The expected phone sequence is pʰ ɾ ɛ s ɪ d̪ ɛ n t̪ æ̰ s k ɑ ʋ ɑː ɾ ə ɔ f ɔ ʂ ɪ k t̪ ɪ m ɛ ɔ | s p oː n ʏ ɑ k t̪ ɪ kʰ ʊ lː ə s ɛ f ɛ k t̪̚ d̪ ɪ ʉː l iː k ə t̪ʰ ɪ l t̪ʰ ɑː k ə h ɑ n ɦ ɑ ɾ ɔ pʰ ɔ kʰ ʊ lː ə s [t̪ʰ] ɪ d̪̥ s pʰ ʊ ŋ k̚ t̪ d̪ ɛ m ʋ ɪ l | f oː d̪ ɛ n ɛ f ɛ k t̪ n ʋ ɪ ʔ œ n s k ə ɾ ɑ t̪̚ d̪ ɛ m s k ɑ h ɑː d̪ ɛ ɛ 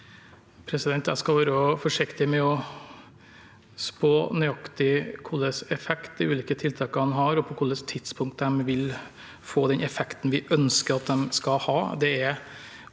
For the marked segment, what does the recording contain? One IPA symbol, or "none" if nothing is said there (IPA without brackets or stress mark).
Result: t̪ʰ